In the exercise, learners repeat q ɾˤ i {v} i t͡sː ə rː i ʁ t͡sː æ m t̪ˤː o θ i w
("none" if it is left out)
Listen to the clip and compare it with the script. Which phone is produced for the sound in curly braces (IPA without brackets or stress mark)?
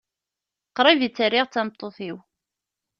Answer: v